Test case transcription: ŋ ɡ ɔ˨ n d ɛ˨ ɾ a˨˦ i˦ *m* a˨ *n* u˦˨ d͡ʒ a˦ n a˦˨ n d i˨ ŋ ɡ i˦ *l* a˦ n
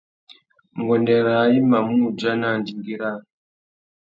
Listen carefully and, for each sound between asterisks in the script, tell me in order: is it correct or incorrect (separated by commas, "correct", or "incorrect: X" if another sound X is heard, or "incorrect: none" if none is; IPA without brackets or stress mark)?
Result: correct, incorrect: m, incorrect: ɾ